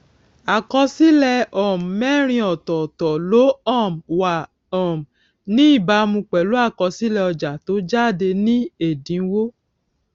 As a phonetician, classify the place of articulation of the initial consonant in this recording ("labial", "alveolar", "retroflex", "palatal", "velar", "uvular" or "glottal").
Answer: velar